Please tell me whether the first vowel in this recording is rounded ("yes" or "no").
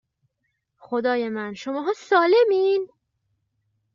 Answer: yes